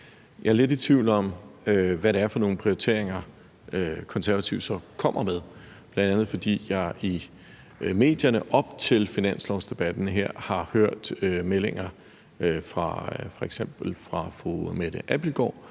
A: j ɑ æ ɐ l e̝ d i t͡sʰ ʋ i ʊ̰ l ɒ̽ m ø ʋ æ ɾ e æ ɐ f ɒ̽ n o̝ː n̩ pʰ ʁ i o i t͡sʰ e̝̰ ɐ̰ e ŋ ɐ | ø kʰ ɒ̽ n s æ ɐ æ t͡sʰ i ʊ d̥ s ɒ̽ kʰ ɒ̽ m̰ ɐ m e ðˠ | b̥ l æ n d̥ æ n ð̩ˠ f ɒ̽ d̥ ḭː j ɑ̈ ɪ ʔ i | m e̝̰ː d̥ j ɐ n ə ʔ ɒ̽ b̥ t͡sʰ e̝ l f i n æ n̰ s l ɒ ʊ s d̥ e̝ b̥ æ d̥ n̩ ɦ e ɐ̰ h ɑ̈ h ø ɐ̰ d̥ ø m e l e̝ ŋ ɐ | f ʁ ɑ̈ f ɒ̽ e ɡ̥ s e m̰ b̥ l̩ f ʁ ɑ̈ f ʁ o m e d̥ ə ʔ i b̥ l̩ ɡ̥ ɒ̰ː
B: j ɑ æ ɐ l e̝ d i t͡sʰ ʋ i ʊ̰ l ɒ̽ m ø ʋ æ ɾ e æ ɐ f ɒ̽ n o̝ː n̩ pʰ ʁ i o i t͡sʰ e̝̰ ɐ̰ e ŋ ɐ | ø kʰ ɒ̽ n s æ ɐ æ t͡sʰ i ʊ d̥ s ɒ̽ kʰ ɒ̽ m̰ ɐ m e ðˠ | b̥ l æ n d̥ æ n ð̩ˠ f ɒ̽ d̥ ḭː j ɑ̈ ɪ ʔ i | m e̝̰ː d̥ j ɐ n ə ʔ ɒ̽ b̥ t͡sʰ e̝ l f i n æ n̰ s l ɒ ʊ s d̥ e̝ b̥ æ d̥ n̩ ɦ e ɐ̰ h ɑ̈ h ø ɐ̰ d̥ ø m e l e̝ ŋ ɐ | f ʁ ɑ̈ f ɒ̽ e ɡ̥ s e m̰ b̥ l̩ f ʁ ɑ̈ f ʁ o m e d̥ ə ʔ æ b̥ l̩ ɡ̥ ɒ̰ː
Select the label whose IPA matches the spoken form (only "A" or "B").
B